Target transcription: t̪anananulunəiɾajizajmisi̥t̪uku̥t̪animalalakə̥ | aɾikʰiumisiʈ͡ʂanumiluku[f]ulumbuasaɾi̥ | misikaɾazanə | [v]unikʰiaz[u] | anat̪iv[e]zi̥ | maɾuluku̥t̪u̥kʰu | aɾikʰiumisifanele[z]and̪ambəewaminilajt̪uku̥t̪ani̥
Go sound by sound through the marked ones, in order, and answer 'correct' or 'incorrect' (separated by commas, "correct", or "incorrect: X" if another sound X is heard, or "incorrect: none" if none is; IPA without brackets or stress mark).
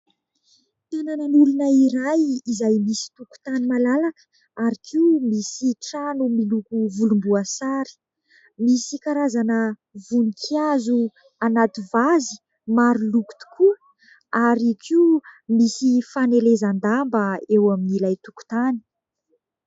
incorrect: v, correct, correct, incorrect: a, correct